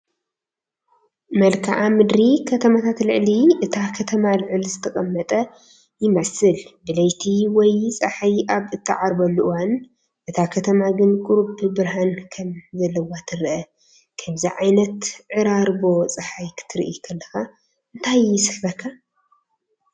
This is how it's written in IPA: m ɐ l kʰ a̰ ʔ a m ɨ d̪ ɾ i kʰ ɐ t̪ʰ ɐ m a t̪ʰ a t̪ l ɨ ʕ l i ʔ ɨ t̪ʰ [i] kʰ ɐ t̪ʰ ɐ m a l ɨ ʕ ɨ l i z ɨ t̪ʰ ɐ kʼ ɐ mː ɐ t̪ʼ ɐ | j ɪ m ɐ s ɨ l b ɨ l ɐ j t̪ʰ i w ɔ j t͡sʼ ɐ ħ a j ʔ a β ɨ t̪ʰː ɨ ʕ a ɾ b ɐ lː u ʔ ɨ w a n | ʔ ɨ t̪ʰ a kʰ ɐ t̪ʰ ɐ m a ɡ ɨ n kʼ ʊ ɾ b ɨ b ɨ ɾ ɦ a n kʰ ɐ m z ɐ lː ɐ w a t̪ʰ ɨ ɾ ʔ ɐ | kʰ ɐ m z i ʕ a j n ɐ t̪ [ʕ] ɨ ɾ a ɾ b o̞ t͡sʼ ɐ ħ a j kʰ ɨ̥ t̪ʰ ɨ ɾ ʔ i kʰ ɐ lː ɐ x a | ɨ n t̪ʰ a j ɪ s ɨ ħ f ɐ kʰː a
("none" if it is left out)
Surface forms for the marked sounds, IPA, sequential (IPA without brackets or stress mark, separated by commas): a, ʕ